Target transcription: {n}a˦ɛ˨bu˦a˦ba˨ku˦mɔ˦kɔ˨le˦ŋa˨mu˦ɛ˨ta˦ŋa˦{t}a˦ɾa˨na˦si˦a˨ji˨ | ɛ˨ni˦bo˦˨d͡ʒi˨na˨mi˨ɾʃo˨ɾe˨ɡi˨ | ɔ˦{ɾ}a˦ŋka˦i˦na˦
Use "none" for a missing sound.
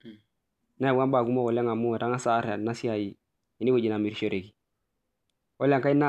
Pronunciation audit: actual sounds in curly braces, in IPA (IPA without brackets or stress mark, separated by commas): n, s, l